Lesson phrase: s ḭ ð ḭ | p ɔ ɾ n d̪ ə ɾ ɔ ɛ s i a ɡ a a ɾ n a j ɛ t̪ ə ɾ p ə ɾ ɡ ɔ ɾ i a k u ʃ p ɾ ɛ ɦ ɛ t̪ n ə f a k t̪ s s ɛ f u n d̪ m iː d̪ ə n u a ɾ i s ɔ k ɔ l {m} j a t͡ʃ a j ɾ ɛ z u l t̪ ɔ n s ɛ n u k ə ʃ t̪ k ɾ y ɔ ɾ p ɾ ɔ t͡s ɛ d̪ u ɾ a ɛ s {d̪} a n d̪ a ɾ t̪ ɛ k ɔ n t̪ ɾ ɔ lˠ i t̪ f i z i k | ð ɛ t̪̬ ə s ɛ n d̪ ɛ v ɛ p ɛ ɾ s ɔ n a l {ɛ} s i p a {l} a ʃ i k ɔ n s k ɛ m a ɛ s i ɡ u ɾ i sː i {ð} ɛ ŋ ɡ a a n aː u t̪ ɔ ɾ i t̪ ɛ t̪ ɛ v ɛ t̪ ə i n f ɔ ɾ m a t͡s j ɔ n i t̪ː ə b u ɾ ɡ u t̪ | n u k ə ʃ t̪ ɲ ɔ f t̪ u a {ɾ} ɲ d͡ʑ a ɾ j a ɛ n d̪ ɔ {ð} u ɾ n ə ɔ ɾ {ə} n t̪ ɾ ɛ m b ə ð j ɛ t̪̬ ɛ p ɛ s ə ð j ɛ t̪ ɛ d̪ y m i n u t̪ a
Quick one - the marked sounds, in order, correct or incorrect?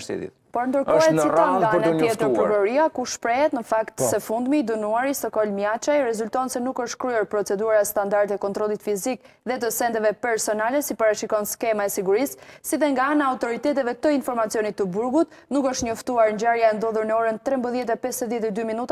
correct, incorrect: t̪, correct, incorrect: ɾ, correct, correct, correct, correct

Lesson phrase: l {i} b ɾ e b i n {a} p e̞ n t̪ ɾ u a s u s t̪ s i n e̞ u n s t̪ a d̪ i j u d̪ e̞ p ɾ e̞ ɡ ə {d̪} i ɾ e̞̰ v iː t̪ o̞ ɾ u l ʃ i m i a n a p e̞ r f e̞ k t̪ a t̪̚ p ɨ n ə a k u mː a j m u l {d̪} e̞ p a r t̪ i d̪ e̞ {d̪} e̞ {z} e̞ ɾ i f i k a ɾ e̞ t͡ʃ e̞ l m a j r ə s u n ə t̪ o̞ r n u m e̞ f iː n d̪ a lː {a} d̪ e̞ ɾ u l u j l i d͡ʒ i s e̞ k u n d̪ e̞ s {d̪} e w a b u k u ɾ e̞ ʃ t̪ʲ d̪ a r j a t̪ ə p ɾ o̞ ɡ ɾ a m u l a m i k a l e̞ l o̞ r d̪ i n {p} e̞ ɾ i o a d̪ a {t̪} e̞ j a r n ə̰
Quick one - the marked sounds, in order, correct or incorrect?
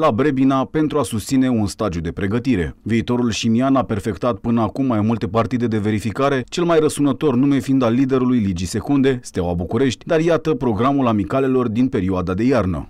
incorrect: a, correct, incorrect: t̪, incorrect: t̪, correct, incorrect: v, incorrect: i, incorrect: t̪, correct, incorrect: d̪

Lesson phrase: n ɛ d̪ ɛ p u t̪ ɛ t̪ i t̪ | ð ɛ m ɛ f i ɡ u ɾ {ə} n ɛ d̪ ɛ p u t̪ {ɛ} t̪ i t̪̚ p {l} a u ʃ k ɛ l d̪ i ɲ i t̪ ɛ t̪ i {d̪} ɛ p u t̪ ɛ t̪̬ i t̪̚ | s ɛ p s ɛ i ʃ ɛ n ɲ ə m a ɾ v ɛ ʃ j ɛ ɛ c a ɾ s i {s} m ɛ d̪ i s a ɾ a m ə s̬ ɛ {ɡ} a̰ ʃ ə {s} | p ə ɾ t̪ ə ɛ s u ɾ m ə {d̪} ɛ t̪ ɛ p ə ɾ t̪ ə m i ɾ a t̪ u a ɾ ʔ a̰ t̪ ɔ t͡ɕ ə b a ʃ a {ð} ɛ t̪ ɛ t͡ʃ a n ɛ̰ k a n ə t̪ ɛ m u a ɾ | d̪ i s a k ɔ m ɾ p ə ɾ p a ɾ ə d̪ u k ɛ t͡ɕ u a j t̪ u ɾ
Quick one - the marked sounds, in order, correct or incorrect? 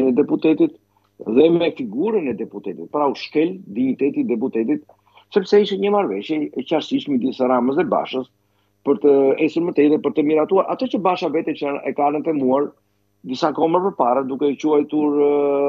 correct, correct, incorrect: ɾ, correct, incorrect: ʃ, incorrect: b, correct, incorrect: t̪, incorrect: v

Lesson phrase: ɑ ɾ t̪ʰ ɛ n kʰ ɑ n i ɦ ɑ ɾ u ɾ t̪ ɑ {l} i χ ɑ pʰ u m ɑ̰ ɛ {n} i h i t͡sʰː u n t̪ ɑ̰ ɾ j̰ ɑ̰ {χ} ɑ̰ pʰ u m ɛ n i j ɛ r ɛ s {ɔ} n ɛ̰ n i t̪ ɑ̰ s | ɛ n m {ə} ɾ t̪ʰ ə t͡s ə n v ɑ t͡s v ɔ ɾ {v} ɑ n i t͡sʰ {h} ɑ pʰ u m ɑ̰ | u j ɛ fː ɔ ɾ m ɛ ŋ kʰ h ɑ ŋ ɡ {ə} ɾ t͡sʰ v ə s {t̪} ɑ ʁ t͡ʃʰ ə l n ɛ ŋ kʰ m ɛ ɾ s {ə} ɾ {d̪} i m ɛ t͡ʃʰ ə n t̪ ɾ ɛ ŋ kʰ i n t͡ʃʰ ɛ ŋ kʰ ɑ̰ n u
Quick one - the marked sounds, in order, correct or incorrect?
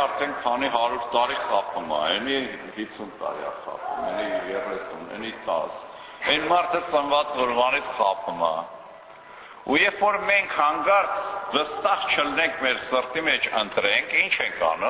incorrect: ɾ, correct, correct, incorrect: u, incorrect: ɑ, correct, incorrect: χ, incorrect: ɑ, correct, correct, incorrect: t̪

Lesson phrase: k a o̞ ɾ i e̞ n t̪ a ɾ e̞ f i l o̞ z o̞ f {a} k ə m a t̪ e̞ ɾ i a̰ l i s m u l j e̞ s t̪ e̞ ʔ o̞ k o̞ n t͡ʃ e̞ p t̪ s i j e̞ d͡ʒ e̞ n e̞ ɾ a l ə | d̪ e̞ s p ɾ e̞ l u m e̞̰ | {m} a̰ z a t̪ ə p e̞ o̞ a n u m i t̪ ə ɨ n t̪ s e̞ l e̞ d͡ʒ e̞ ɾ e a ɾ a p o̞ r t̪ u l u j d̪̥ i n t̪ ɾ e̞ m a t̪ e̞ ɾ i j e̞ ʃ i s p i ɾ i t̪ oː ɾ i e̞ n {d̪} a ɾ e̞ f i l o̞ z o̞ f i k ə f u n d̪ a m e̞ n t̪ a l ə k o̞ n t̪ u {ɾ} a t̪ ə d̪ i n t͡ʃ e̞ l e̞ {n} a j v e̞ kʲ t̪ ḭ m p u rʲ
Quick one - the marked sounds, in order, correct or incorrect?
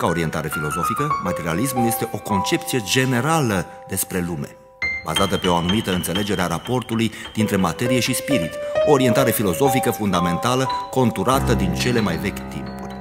incorrect: i, incorrect: b, incorrect: t̪, correct, incorrect: m

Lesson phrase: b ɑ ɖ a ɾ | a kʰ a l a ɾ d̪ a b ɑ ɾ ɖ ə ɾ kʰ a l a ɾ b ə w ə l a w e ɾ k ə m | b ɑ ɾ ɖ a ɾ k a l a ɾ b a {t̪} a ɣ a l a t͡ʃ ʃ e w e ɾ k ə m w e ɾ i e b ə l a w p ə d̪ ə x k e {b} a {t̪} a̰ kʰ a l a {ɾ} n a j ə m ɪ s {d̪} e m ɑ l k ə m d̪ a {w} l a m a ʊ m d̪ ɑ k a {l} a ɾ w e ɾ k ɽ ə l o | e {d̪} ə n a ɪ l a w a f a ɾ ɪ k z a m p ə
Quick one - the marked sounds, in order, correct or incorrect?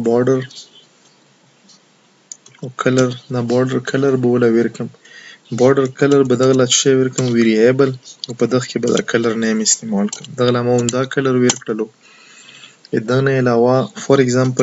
incorrect: d̪, correct, incorrect: d̪, correct, incorrect: t̪, incorrect: ɣ, correct, correct

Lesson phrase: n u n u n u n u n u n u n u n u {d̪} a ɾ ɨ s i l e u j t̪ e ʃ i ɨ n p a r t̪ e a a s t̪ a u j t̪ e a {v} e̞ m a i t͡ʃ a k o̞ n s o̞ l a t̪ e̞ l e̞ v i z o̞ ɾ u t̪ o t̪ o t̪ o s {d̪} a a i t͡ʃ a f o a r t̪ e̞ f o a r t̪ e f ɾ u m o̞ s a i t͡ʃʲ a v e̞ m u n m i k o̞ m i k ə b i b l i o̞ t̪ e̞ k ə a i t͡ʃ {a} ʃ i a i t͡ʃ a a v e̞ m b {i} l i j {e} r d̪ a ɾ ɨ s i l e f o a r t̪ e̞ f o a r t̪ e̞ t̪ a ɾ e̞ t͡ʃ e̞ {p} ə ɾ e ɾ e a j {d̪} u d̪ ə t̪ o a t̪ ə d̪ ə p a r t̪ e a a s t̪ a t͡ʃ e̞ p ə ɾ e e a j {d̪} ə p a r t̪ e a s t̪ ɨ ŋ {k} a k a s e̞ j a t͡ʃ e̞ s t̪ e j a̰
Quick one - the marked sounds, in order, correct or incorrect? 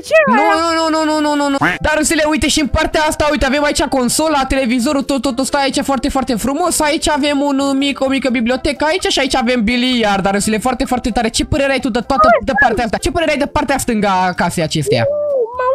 correct, correct, incorrect: t̪, correct, correct, incorrect: a, correct, incorrect: t̪, correct, incorrect: ɡ

